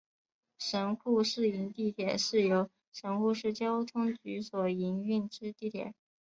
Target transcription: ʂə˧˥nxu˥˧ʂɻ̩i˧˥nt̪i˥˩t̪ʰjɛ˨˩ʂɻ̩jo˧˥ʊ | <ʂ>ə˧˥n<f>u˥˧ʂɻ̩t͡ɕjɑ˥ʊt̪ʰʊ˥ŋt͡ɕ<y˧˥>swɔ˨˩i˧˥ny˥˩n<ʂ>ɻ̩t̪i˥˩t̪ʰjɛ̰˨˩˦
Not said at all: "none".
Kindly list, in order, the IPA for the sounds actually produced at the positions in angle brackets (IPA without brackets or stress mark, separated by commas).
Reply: ʂ, x, y˧˥, ʈ͡ʂ